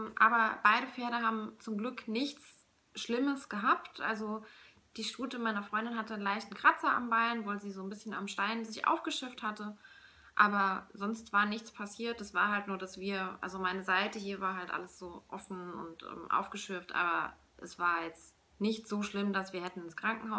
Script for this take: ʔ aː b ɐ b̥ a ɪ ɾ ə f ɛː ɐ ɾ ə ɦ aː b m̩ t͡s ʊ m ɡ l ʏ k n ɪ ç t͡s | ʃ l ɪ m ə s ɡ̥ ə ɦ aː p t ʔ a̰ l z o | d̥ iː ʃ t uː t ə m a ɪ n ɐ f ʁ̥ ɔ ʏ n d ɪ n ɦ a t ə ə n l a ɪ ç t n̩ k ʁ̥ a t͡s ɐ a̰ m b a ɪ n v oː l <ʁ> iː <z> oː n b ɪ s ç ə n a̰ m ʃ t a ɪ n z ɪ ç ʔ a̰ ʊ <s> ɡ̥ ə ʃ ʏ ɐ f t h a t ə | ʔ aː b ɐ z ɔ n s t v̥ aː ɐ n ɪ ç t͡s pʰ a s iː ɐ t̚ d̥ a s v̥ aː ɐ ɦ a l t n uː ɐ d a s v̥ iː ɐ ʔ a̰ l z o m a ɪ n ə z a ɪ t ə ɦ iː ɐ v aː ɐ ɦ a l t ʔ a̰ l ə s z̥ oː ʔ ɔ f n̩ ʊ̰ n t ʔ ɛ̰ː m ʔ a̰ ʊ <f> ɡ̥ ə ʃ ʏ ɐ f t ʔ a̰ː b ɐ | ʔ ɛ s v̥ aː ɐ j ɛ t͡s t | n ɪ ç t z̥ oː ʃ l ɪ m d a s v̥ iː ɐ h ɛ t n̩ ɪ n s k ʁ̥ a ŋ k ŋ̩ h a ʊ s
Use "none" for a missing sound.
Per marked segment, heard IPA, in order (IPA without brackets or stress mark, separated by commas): z, z, f, f